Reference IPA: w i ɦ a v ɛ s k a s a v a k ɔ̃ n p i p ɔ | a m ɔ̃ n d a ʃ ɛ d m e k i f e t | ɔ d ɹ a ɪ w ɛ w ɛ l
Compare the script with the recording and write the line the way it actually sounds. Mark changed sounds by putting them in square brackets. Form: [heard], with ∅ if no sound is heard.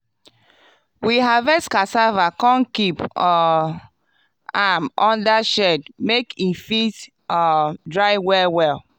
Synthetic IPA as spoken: w i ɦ a v ɛ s k a s a v a k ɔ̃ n [k] i p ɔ | a m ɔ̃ n d a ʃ ɛ d m e k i f [i] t | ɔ d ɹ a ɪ w ɛ w ɛ l

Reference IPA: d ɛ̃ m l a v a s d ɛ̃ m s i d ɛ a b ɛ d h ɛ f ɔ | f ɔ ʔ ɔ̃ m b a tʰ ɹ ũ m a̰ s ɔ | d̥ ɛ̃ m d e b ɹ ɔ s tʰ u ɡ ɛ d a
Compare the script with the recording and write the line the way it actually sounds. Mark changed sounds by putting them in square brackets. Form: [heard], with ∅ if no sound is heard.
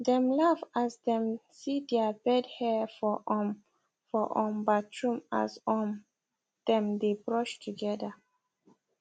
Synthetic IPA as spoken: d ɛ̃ m l a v a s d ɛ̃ m s i d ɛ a b ɛ d h ɛ f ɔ | f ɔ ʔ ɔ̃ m b a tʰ ɹ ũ m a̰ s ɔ | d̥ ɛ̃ m d e b ɹ ɔ [ʃ] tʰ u ɡ ɛ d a

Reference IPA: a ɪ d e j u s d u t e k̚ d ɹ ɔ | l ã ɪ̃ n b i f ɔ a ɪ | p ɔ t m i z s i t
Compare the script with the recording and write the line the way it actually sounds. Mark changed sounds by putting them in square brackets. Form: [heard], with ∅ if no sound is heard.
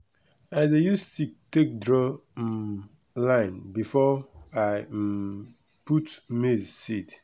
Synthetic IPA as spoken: a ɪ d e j u s [t] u t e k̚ d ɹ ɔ | l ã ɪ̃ n b i f ɔ a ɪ | p [u] t m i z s i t

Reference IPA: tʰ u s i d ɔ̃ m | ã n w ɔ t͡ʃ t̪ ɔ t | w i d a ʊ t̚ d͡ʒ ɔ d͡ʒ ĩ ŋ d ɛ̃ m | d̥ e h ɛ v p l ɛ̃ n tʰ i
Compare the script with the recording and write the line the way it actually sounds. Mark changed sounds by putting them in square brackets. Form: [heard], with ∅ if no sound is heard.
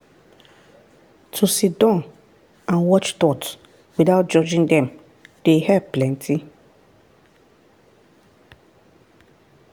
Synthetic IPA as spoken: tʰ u s i d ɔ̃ [n] | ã n w ɔ t͡ʃ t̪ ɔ t | w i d a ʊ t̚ d͡ʒ ɔ d͡ʒ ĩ ŋ d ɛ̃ m | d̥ e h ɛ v p l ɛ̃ n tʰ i

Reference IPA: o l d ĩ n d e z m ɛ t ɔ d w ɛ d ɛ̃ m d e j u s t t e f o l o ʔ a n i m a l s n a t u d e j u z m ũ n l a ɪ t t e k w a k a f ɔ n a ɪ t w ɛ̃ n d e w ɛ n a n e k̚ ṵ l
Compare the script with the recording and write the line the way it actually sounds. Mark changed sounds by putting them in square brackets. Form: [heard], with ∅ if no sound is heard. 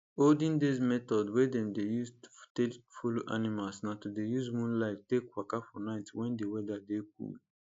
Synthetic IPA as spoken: o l d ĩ n d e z m ɛ t ɔ d w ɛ d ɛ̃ m d e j u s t t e f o l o ʔ a n i m a l s n a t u d e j u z m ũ n l a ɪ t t e k w a k a f ɔ n a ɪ t w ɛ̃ n d e w ɛ [d] a [d] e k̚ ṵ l

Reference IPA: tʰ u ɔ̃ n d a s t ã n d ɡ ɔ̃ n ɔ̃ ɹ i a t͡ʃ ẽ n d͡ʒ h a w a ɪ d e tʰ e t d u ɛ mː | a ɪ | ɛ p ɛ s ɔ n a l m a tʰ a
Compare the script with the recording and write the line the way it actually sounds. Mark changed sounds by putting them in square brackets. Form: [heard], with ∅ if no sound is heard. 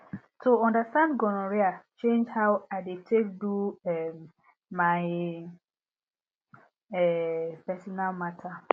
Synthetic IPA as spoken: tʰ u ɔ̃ n d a s t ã n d ɡ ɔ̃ n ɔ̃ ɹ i a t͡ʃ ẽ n d͡ʒ h a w a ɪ d e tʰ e [k] d u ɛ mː | a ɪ | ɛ p ɛ s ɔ n a l m a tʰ a

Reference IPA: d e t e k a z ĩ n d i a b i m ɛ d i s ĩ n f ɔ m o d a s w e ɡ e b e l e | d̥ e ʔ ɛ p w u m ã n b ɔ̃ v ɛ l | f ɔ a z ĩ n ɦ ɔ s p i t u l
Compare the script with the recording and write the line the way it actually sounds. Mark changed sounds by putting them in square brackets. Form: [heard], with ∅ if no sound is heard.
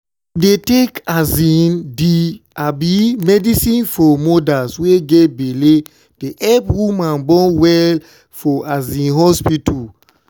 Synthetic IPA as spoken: d e t e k a z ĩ n d i a b i m ɛ d i s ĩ n f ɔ m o d a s w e ɡ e b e l e | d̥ e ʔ ɛ p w u m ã n b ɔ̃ [w] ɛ l | f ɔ a z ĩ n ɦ ɔ s p i t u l

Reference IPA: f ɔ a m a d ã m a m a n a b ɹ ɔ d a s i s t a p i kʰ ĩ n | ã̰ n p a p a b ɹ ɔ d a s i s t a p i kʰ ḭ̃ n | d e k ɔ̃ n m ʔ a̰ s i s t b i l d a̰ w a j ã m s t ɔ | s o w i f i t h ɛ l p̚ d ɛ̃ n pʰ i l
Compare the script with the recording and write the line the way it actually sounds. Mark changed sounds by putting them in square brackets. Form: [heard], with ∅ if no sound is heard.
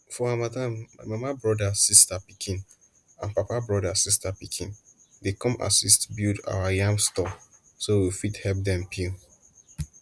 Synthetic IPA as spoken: f ɔ a m a d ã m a m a [m] a b ɹ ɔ d a s i s t a p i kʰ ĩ n | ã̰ n p a p a b ɹ ɔ d a s i s t a p i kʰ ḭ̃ n | d e k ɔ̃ [∅] m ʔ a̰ s i s t b i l d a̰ w a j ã m s t ɔ | s o w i f i t h ɛ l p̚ d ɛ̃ [m] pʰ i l

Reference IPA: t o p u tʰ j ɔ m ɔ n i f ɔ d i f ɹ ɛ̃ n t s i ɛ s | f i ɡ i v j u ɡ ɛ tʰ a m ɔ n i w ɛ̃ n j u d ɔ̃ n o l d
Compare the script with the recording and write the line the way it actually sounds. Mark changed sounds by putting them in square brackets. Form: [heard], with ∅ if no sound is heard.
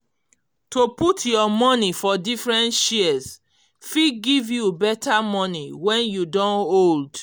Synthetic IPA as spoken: t o p u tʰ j ɔ m ɔ n i f ɔ d i f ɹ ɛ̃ n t [ʃ] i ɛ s | f i ɡ i v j u [b] ɛ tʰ a m ɔ n i w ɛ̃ n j u d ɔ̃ n o l d

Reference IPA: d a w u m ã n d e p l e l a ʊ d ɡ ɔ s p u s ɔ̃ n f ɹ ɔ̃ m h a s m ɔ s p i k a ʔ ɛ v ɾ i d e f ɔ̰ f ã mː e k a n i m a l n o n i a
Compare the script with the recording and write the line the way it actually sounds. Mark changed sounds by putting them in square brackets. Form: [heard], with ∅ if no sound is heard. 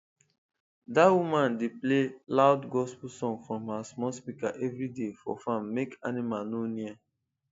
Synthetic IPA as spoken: d a w u m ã n d e p l e l a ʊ d ɡ ɔ s p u s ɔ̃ [ŋ] f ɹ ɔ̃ m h a s m ɔ s p i k a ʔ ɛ v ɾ i d e f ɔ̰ f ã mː e k a n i m a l n o n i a

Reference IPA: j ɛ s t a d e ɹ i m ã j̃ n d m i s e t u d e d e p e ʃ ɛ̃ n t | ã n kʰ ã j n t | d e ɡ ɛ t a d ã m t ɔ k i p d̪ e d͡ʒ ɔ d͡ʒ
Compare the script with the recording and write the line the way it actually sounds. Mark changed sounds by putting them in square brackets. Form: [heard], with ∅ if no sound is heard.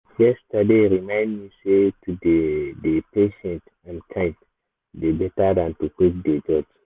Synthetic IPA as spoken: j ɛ s t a d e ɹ i m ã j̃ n d m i s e t u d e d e p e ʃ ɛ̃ n t | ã n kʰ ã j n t | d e [b] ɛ t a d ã [n] t [u] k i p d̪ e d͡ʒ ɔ d͡ʒ

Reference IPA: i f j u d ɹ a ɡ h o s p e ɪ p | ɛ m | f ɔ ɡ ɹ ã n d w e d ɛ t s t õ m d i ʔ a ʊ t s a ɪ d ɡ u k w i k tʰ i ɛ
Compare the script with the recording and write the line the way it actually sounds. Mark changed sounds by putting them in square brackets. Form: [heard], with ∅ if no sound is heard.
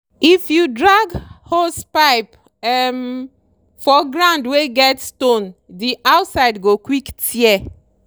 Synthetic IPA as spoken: i f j u d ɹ a ɡ h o s p [a] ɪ p | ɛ m | f ɔ ɡ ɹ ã n d w e [ɡ] ɛ t s t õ [n] d i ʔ a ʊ t s a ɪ d ɡ [o] k w i k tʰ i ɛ

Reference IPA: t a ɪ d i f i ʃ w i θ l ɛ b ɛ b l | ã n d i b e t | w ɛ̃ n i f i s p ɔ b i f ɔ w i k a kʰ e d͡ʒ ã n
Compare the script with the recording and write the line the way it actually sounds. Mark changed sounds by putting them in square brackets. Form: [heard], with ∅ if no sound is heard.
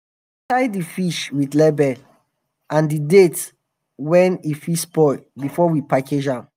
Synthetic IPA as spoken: t a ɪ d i f i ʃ w i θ l ɛ b ɛ [∅] l | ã n d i [d] e t | w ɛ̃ n i f i s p ɔ b i f ɔ w i [p] a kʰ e d͡ʒ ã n

